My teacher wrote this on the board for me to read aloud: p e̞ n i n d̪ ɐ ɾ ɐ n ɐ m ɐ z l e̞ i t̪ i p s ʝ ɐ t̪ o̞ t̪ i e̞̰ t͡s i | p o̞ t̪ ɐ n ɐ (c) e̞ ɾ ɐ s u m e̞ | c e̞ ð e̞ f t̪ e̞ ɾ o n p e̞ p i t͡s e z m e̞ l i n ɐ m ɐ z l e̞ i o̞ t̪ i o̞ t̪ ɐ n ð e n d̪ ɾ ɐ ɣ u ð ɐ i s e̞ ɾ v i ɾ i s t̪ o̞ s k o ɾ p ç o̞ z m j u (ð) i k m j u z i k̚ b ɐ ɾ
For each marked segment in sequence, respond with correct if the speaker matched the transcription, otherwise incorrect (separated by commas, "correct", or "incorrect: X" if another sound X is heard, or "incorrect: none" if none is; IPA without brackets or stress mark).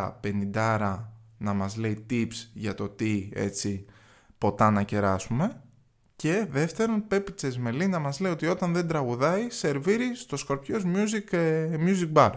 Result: correct, incorrect: z